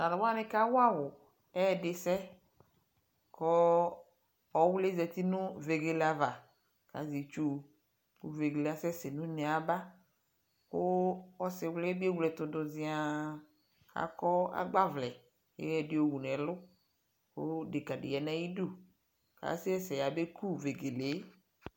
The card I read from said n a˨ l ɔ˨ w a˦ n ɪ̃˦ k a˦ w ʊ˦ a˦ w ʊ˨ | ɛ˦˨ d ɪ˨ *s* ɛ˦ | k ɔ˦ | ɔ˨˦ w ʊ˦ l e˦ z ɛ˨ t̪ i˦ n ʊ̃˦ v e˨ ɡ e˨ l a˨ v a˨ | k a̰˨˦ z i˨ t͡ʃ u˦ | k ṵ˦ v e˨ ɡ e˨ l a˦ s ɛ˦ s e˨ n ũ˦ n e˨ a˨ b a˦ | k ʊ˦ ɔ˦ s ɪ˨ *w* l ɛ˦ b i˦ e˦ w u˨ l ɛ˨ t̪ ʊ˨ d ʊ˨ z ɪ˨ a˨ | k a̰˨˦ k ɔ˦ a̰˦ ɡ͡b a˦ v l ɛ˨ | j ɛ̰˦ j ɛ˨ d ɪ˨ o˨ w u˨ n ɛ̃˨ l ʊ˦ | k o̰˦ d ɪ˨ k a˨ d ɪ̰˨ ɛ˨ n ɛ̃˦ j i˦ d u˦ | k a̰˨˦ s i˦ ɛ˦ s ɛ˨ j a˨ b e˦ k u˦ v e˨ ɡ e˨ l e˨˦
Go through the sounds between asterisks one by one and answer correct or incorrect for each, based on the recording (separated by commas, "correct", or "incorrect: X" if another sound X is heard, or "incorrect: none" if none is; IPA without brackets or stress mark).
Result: correct, correct